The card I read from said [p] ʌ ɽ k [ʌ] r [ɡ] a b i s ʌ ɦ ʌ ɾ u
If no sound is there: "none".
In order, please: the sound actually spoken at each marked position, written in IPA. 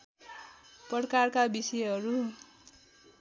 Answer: p, a, k

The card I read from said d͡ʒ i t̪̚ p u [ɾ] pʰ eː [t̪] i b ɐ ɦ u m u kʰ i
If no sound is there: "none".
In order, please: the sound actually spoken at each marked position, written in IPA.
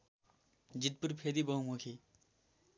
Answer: ɾ, d̪

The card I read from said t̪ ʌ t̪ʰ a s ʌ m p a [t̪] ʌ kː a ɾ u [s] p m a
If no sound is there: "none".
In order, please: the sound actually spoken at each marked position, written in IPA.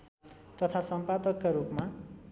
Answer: d̪, none

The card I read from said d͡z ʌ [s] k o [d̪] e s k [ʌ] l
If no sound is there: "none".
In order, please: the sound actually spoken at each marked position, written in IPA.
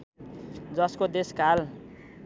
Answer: s, d̪, a

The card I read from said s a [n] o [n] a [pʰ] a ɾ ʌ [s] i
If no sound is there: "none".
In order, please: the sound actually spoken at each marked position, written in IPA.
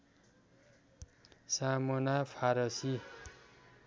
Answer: m, n, pʰ, s

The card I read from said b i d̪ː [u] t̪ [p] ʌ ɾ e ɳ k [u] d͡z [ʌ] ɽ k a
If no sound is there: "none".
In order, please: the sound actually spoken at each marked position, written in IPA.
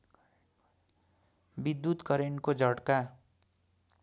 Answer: u, k, o, ʌ

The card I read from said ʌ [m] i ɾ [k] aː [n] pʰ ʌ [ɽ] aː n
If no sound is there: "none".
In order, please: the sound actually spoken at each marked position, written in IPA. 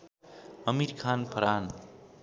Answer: m, kʰ, n, ɾ

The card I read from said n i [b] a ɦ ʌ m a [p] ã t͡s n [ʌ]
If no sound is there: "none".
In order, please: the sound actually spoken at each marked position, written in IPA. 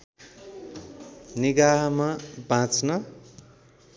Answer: ɡ, b, ʌ

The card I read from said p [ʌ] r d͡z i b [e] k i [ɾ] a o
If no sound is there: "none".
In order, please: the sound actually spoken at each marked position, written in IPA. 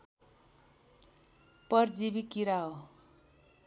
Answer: ʌ, i, ɾ

